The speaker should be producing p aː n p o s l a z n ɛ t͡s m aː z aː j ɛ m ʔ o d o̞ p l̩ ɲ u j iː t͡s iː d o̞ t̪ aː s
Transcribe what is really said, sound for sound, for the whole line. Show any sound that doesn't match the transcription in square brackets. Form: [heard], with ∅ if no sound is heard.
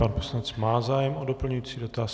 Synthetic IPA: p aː n p o s l a [∅] n ɛ t͡s m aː z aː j ɛ m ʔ o d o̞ p l̩ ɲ u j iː t͡s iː d o̞ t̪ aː s